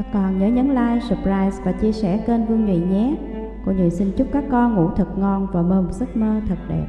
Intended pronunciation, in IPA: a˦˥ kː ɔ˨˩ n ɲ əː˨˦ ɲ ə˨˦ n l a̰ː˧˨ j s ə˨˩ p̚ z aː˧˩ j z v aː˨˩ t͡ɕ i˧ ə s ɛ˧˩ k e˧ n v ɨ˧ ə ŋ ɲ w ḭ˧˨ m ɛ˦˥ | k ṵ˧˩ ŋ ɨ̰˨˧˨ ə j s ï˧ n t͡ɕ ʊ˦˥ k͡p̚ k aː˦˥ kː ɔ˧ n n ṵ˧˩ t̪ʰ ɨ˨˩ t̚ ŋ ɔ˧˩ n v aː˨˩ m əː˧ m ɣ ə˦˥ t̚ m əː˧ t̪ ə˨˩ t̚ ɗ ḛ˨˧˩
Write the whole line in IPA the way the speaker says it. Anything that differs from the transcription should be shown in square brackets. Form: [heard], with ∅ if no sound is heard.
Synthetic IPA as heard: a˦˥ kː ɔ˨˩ n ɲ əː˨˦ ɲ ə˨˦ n l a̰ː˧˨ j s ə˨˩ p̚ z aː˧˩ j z v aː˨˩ t͡ɕ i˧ ə s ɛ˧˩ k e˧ n v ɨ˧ ə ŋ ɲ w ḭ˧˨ [ɲ] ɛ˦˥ | k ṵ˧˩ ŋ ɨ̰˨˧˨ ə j s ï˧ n t͡ɕ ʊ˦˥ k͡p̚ k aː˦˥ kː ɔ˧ n [ŋ] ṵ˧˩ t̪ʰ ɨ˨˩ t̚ ŋ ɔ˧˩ n v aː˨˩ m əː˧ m [z] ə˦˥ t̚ m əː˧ [t̪ʰ] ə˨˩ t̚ ɗ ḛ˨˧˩